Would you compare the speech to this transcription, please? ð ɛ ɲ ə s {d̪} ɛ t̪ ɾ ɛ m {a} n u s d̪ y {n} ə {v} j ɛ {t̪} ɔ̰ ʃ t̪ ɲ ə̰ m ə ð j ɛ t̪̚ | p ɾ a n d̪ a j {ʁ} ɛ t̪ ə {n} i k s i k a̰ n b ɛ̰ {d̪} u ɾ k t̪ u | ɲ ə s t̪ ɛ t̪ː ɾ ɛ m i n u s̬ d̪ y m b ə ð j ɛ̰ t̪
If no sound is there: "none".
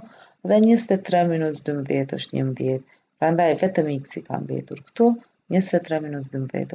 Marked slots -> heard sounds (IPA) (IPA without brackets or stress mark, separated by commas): t̪, i, m, ð, t̪, v, m, t̪